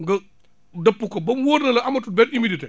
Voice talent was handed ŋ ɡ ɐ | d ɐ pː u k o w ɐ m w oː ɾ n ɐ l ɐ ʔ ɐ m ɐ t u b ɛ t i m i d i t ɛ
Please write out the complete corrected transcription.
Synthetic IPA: ŋ ɡ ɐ | d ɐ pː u k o b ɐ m w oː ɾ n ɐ l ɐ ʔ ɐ m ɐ t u b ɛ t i m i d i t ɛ